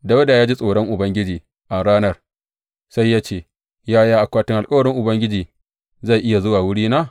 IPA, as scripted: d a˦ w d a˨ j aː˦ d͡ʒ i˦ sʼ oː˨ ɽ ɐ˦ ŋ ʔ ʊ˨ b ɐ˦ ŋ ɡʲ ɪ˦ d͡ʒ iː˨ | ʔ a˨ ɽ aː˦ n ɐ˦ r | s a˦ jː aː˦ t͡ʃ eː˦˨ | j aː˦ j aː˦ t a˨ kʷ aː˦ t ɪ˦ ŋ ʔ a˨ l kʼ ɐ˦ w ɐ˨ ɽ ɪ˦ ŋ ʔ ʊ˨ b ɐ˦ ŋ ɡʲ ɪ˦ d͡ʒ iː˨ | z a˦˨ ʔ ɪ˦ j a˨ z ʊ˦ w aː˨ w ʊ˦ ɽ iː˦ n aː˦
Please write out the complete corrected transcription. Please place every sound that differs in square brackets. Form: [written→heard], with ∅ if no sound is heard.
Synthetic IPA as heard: d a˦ w d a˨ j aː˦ d͡ʒ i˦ sʼ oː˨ ɽ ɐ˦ ŋ ʔ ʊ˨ b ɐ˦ ŋ ɡʲ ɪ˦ d͡ʒ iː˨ | ʔ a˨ ɽ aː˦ n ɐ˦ r | s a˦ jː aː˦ t͡ʃ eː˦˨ | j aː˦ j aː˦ [t→ʔ] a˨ kʷ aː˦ t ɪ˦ ŋ ʔ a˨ l kʼ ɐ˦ w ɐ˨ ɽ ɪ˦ ŋ ʔ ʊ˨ b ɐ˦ ŋ ɡʲ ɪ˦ d͡ʒ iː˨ | z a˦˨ ʔ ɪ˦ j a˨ z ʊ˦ w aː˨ w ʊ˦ ɽ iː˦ n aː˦